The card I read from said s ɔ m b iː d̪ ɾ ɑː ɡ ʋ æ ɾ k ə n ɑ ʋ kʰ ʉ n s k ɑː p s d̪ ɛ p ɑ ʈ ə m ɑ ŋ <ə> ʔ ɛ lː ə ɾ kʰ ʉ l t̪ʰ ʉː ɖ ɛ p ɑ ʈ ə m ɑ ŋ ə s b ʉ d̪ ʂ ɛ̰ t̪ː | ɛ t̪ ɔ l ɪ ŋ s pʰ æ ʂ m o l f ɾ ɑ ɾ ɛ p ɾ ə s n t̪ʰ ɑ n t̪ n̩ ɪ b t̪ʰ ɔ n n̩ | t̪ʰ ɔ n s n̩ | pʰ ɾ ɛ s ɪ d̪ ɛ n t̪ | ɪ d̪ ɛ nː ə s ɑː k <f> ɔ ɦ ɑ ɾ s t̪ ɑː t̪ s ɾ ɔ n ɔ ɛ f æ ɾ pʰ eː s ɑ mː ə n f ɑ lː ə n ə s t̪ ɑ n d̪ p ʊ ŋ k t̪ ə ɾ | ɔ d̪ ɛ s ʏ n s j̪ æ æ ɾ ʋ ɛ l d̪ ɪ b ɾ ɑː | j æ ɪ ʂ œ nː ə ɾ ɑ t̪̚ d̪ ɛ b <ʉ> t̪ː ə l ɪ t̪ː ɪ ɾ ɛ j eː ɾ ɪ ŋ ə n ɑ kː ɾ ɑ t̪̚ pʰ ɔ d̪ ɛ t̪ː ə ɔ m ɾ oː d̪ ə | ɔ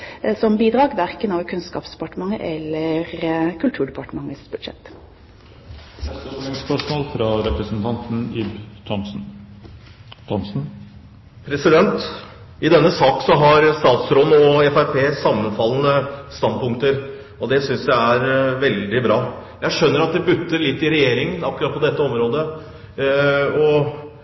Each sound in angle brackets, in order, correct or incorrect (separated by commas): correct, incorrect, correct